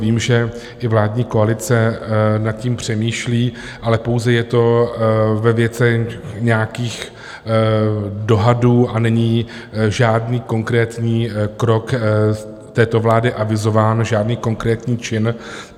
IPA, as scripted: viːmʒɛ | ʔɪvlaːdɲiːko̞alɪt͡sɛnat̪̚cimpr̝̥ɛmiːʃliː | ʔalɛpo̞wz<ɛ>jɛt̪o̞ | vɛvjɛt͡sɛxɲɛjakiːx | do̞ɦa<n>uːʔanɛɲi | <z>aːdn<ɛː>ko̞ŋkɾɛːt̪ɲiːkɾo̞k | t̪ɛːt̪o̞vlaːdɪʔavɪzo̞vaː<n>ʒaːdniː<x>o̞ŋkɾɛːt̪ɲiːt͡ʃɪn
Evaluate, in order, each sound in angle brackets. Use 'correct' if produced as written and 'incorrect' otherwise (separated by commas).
correct, incorrect, incorrect, incorrect, correct, incorrect